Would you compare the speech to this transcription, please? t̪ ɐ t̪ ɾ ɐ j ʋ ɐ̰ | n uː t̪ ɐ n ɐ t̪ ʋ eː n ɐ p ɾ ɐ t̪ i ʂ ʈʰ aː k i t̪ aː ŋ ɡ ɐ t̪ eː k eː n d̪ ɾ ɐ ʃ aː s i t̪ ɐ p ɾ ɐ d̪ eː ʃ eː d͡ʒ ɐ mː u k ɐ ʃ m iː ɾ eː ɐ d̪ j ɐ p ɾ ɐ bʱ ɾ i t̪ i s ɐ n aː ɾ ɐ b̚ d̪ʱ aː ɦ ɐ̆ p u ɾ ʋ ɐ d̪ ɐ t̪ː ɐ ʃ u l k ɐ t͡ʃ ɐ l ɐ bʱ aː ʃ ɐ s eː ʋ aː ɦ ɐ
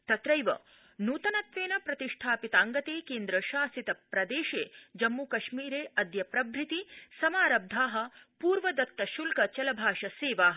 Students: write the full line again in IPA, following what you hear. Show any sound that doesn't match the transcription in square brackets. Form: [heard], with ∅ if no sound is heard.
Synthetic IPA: t̪ ɐ t̪ ɾ ɐ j ʋ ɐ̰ | n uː t̪ ɐ n ɐ t̪ ʋ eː n ɐ p ɾ ɐ t̪ i ʂ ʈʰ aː [p] i t̪ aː ŋ ɡ ɐ t̪ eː k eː n d̪ ɾ ɐ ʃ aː s i t̪ ɐ p ɾ ɐ d̪ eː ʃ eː d͡ʒ ɐ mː u k ɐ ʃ m iː ɾ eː ɐ d̪ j ɐ p ɾ ɐ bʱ ɾ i t̪ i s ɐ [m] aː ɾ ɐ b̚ d̪ʱ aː ɦ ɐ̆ p [uː] ɾ ʋ ɐ d̪ ɐ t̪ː ɐ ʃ u l k ɐ t͡ʃ ɐ l ɐ bʱ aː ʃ ɐ s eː ʋ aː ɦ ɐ